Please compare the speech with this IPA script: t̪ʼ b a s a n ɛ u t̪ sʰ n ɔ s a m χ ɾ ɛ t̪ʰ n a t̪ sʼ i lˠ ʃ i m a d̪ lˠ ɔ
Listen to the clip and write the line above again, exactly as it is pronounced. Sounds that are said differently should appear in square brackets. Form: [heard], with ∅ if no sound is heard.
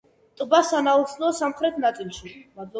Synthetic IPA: t̪ʼ b a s a n [a] u t̪ sʰ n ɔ s a m χ ɾ ɛ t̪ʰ n a t̪ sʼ i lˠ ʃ i m a d̪ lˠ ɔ

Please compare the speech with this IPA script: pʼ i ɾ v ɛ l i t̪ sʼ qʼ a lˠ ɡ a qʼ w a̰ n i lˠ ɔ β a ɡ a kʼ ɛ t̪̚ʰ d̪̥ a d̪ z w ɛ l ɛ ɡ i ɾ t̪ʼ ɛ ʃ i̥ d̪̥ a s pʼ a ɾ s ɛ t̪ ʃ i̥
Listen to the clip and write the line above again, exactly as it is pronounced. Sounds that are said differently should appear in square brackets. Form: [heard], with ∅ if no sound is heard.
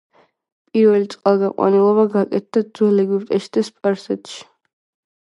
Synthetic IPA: pʼ i ɾ v ɛ l i t̪ sʼ qʼ a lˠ ɡ a qʼ w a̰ n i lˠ ɔ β a ɡ a kʼ ɛ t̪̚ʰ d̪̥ a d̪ z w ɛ l ɛ ɡ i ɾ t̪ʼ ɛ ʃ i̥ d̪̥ a s pʼ a ɾ s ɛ t̪ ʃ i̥

